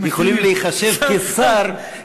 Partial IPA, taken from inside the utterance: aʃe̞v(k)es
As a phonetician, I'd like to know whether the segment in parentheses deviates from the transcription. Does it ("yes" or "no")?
no